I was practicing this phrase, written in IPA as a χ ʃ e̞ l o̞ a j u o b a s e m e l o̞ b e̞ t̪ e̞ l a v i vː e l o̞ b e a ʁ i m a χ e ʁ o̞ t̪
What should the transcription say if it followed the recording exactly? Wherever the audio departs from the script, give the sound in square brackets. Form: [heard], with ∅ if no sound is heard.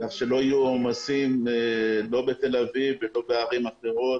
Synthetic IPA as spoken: a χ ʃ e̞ l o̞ a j u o [m] a s [i] m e l o̞ b e̞ t̪ e̞ l a v i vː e l o̞ b e a ʁ i m a χ e ʁ o̞ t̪